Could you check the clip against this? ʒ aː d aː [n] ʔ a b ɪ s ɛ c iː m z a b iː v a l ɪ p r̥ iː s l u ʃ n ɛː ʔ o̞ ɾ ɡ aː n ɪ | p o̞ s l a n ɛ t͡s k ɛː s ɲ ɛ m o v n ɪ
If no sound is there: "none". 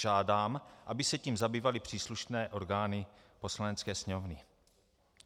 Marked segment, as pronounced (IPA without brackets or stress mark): m